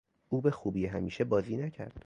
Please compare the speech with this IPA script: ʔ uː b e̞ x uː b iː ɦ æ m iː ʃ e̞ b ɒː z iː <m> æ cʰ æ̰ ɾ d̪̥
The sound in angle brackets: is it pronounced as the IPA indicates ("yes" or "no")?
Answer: no